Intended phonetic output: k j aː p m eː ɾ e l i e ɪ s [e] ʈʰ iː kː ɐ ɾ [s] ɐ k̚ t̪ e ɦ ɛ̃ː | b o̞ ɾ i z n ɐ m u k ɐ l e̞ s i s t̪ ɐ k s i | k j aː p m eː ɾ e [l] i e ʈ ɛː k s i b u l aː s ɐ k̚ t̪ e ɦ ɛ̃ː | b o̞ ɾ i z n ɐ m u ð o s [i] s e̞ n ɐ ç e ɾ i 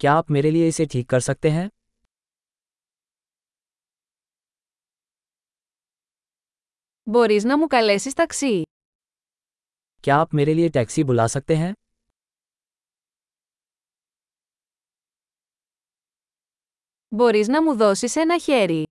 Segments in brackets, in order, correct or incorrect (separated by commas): correct, correct, correct, correct